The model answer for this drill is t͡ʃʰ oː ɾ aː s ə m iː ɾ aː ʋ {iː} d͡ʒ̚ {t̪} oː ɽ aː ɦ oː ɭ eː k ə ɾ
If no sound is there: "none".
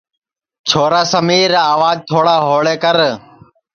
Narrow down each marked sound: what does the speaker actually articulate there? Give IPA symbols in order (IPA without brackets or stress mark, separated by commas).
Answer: aː, t̪ʰ